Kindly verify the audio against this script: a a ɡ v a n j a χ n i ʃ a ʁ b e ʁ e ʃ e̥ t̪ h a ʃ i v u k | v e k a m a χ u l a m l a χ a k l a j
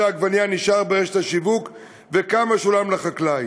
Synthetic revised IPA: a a ɡ v a n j a n i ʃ a ʁ b e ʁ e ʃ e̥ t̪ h a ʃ i v u k | v e k a m a ʃ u l a m l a χ a k l a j

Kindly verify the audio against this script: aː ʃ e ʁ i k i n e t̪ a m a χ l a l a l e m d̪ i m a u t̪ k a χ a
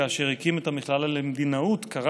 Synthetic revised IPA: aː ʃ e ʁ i k i m e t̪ a m i χ l a l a l e m d̪ i n a u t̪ k a ʁ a

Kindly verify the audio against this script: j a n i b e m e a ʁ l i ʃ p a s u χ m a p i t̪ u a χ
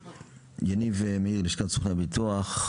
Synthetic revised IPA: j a n i v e m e i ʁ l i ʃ k a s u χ n a b i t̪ u a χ

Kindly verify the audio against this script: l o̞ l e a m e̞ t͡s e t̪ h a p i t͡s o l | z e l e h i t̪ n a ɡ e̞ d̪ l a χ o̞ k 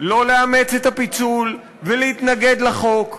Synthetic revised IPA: l o̞ l e a m e̞ t͡s e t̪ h a p i t͡s u l | v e l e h i t̪ n a ɡ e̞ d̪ l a χ o̞ k

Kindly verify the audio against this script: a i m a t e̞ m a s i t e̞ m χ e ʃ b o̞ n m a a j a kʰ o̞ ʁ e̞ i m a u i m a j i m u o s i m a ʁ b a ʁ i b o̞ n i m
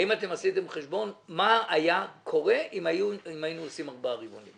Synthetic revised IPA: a i m a t e̞ m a s i t e̞ m χ e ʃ b o̞ n m a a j a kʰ o̞ ʁ e̞ i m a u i m a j i n u o s i m a ʁ b a ʁ i b o̞ n i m

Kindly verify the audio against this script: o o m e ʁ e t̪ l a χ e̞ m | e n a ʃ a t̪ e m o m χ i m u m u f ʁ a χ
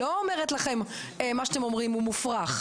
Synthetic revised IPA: o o m e ʁ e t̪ l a χ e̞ m | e m a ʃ a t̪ e m o m ʁ i m u m u f ʁ a χ

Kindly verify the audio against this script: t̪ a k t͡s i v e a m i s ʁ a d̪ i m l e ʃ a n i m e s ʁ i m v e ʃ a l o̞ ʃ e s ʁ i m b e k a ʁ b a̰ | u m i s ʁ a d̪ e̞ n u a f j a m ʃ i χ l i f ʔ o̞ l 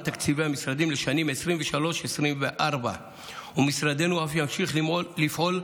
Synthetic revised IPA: t̪ a k t͡s i v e a m i s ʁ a d̪ i m l e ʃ a n i m e s ʁ i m v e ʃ a l o̞ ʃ e s ʁ i m v e ʔ a ʁ b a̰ | u m i s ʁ a d̪ e̞ n u a f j a m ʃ i χ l i f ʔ o̞ l

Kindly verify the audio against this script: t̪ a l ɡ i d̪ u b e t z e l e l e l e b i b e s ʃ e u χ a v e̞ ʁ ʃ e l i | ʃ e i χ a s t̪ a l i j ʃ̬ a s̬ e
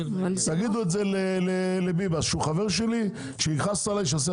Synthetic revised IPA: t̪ a ɡ i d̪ u e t z e l e l e l e b i b a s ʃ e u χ a v e̞ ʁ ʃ e l i | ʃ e i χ a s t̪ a l a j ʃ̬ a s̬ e

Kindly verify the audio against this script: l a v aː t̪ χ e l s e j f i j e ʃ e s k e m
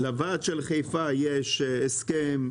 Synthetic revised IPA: l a v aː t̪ ʃ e l χ e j f a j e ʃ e s k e m

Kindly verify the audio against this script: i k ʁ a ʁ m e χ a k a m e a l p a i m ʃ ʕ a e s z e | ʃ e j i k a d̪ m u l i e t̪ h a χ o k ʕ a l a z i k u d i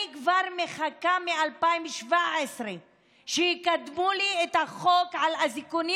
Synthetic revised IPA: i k v a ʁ m e χ a k a m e a l p a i m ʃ v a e s ʁ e | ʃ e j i k a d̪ m u l i e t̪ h a χ o k ʕ a l a z i k u n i

